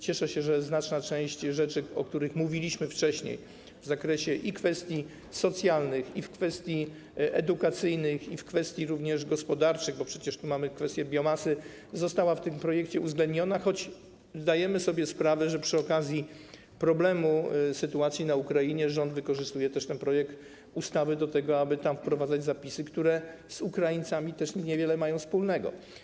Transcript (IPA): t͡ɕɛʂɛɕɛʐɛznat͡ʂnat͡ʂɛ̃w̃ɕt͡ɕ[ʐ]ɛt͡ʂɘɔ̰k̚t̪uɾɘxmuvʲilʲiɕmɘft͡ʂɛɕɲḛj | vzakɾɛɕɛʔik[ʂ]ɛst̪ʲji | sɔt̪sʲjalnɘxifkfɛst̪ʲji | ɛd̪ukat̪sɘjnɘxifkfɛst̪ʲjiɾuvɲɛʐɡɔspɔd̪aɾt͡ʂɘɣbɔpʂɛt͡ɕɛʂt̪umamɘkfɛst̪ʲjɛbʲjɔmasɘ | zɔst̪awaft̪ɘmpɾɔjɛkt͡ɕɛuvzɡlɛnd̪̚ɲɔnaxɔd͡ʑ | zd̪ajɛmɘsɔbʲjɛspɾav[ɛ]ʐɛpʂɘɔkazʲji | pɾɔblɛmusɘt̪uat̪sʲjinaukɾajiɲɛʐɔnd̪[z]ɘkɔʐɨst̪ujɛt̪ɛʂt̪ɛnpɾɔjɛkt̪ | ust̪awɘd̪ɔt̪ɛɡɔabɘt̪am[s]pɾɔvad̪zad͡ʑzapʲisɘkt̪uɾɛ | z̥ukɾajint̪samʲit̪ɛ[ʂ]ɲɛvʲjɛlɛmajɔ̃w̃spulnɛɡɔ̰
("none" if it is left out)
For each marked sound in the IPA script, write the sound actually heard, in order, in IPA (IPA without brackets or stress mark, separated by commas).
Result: ʐ, f, ɛ, v, f, ʂ